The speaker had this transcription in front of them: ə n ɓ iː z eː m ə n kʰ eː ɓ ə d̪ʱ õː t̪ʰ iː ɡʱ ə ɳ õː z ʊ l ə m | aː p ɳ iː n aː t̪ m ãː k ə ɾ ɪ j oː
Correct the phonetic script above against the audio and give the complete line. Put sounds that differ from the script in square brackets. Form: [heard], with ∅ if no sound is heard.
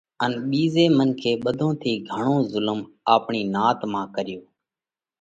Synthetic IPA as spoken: ə n ɓ iː z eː m ə n kʰ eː ɓ ə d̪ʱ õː t̪ʰ iː ɡʱ ə ɳ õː z ʊ l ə m | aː p ɳ iː n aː t̪ m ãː k ə ɾ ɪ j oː